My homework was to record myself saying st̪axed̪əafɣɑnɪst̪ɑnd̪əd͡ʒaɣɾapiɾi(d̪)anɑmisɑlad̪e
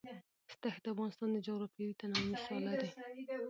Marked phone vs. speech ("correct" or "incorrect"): incorrect